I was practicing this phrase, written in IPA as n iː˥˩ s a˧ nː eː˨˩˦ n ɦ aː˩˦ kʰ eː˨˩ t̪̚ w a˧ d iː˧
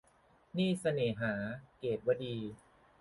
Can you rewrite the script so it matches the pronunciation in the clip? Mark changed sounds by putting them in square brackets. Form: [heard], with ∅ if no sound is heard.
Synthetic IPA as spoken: n iː˥˩ s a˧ [n] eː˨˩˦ [∅] ɦ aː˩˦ [k] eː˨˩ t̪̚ w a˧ d iː˧

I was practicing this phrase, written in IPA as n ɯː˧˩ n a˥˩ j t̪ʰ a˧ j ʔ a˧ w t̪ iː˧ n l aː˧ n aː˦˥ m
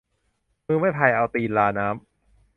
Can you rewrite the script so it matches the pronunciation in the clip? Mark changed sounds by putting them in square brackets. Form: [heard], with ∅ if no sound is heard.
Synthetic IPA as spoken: [m] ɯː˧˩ [m] a˥˩ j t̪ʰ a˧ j ʔ a˧ w t̪ iː˧ n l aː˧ n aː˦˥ m

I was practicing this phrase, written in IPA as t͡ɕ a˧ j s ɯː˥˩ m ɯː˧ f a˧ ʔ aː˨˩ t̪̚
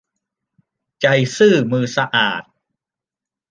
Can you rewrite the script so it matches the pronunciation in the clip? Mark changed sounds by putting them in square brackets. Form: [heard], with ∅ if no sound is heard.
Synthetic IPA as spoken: t͡ɕ a˧ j s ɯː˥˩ m ɯː˧ [s] a˧ ʔ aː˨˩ t̪̚

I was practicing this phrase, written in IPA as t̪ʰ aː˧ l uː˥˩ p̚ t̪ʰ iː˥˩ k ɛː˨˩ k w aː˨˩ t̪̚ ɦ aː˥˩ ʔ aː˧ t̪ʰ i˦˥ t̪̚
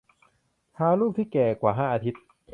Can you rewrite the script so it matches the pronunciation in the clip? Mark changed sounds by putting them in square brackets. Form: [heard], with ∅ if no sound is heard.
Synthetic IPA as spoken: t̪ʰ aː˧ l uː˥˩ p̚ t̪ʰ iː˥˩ k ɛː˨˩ k w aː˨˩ [∅] ɦ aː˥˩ ʔ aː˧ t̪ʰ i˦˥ t̪̚

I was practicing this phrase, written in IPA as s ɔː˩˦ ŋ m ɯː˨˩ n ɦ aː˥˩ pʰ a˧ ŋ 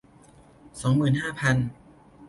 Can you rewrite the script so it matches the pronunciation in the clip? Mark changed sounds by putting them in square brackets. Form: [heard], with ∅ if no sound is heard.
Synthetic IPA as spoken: s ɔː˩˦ ŋ m ɯː˨˩ n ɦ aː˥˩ pʰ a˧ [n]

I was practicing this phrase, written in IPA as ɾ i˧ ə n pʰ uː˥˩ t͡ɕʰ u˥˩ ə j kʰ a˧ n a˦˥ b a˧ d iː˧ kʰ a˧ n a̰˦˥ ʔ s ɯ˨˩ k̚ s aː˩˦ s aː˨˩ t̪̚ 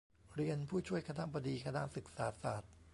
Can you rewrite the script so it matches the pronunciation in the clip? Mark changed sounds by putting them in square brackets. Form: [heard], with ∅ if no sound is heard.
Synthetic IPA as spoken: ɾ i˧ ə n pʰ uː˥˩ t͡ɕʰ u˥˩ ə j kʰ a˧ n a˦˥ b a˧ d iː˧ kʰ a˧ n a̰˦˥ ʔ s ɯ˨˩ k̚ s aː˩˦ s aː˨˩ t̪̚

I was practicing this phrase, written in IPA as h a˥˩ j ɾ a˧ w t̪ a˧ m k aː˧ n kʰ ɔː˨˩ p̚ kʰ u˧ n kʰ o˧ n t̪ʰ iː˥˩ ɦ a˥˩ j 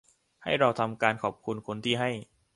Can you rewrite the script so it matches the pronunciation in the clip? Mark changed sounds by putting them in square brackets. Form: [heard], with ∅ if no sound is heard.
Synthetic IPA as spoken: h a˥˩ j ɾ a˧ w [t̪ʰ] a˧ m k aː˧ n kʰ ɔː˨˩ p̚ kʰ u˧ n kʰ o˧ n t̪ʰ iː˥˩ ɦ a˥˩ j

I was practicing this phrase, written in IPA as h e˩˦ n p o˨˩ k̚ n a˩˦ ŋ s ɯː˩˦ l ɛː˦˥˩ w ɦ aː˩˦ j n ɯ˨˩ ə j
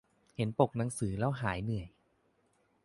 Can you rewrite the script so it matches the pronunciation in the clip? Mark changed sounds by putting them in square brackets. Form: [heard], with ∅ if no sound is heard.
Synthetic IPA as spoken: h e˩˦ n p o˨˩ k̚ n a˩˦ ŋ s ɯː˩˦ l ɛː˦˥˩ w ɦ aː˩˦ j n ɯ˨˩ ə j

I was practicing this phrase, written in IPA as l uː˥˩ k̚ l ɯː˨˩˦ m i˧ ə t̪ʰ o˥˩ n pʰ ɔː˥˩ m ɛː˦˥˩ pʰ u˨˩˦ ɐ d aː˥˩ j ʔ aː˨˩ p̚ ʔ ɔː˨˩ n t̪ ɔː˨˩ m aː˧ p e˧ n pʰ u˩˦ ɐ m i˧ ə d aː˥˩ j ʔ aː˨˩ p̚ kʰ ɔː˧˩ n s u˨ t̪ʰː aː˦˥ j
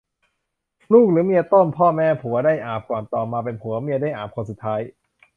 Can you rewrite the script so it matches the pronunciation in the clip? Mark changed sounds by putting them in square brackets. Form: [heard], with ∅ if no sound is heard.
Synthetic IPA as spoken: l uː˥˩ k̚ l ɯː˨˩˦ m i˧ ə [t̪] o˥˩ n pʰ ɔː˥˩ m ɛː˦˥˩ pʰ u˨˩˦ ɐ d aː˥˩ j ʔ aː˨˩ p̚ [k] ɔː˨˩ n t̪ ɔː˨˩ m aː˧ p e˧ n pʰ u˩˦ ɐ m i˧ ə d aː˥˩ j ʔ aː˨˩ p̚ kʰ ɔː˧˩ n s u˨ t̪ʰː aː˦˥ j

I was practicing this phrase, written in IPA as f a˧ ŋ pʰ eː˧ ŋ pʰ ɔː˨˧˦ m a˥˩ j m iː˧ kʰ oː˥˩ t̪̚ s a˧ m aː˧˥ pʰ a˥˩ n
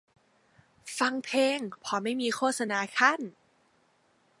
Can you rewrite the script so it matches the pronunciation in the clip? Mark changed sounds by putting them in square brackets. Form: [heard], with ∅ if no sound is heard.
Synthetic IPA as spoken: f a˧ ŋ pʰ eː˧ ŋ pʰ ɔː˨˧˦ m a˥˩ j m iː˧ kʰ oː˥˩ t̪̚ s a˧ [n] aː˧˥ [kʰ] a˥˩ n

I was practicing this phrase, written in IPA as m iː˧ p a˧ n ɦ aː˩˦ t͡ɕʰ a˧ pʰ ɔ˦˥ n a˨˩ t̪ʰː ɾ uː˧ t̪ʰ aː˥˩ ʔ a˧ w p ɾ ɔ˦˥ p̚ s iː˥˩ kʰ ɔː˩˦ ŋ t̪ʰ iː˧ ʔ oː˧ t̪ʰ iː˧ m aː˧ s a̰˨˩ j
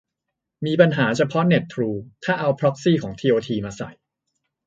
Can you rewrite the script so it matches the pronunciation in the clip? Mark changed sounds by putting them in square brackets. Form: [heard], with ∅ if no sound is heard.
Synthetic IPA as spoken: m iː˧ p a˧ n ɦ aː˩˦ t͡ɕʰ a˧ pʰ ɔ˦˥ n [e˨˩] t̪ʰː ɾ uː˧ t̪ʰ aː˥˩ ʔ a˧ w [pʰ] ɾ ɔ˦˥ [k̚] s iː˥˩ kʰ ɔː˩˦ ŋ t̪ʰ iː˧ ʔ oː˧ t̪ʰ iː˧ m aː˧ s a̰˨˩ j

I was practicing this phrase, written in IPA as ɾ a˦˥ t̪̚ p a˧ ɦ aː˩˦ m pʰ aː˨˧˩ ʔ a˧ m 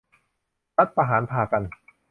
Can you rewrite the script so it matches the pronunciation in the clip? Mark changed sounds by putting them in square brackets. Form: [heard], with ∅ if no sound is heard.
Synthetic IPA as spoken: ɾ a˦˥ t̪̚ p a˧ ɦ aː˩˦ [n] pʰ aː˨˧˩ [k] a˧ [n]

